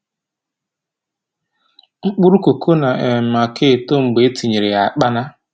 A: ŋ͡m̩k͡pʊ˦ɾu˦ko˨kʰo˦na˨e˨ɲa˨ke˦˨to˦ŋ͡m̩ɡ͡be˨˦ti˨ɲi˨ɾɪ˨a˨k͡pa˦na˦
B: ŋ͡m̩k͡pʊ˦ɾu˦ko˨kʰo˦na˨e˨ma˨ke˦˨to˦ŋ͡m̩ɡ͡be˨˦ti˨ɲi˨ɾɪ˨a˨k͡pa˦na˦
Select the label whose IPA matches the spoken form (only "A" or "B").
B